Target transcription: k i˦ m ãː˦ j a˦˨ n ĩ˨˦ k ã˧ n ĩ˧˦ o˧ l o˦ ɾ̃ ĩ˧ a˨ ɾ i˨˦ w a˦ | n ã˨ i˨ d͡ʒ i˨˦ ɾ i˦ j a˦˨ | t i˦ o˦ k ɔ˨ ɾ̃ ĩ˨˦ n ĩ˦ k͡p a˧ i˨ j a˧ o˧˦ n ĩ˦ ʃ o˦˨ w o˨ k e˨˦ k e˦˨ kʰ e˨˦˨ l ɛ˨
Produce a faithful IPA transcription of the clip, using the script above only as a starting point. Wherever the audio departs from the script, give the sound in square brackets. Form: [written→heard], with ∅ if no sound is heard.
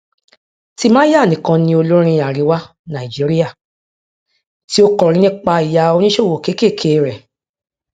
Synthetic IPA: [k→t] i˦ m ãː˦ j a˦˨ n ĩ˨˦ k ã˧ n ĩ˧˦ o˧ l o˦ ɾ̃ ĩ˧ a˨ ɾ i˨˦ w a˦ | n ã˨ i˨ d͡ʒ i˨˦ ɾ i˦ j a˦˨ | t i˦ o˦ k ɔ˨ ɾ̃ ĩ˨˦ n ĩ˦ k͡p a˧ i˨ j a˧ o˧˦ n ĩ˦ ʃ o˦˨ w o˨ k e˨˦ k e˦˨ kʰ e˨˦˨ [l→ɾ] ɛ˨